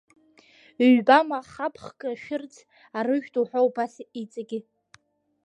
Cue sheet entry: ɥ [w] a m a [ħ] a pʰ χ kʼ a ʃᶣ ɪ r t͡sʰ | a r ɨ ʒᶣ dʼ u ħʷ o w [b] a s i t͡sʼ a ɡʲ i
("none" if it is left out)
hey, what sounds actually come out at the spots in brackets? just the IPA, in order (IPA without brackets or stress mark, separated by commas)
b, χ, b